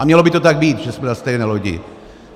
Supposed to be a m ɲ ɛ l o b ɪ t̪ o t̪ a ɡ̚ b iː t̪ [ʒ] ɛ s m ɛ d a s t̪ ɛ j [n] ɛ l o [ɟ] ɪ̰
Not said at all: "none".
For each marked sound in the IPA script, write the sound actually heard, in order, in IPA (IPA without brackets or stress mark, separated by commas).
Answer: ʒ, n, ɟ